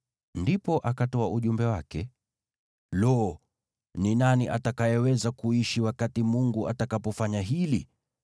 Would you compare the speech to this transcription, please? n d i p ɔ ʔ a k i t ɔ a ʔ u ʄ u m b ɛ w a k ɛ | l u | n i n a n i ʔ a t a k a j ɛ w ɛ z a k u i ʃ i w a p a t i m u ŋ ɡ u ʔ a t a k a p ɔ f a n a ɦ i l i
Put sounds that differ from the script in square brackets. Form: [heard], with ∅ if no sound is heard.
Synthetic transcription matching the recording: n d i p ɔ ʔ a k [a] t ɔ a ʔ u ʄ u m b ɛ w a k ɛ | l [ɔ] | n i n a n i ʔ a t a k a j ɛ w ɛ z a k u i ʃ i w a [k] a t i m u ŋ ɡ u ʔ a t a k a p ɔ f a [ɲ] a ɦ i l i